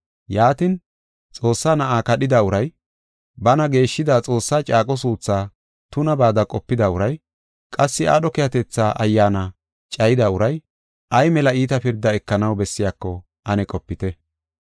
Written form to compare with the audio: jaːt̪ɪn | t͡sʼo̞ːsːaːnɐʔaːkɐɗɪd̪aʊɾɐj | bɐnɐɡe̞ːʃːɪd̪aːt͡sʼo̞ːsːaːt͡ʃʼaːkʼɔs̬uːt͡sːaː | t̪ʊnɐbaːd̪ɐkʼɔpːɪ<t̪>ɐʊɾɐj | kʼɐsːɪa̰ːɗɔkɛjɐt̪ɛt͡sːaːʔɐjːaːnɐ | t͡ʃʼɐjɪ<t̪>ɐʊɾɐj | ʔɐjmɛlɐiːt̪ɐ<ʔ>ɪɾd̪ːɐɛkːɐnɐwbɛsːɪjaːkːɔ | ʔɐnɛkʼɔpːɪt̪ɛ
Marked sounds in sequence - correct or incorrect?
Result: incorrect: d̪, incorrect: d̪, incorrect: p

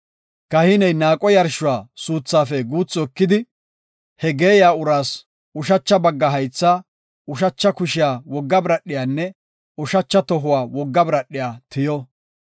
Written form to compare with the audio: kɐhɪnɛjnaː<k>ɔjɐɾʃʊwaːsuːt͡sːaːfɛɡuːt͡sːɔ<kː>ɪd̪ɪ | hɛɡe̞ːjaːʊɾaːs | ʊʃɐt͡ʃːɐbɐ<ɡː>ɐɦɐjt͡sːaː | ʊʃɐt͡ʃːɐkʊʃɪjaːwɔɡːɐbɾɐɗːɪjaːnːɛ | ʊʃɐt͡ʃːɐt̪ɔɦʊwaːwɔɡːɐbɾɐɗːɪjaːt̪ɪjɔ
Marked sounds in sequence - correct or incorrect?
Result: incorrect: kʼ, correct, correct

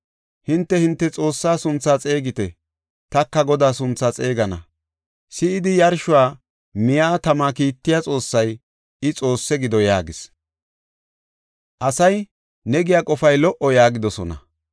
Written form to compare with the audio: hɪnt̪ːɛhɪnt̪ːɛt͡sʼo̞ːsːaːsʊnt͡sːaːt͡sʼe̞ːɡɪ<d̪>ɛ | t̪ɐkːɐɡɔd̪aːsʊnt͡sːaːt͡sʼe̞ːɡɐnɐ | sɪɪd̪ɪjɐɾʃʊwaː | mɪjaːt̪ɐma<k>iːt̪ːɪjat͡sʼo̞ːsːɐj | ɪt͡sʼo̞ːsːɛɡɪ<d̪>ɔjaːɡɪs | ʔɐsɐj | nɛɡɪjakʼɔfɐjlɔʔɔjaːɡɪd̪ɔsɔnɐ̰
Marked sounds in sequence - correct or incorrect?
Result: incorrect: t̪, correct, correct

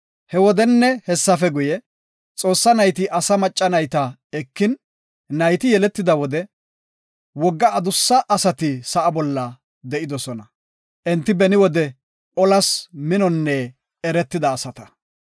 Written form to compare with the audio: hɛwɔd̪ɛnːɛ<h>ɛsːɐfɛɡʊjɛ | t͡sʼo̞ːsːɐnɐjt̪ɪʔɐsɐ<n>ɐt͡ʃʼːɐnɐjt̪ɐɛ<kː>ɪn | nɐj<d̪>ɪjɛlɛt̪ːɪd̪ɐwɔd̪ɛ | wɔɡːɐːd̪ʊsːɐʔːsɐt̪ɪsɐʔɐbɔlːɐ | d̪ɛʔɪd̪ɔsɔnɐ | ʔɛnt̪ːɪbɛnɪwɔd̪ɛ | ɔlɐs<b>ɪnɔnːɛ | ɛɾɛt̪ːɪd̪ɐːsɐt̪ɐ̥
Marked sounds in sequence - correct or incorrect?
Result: correct, incorrect: m, correct, incorrect: t̪, incorrect: m

